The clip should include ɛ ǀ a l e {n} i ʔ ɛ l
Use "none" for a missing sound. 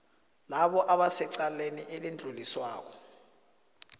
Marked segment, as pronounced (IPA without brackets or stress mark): n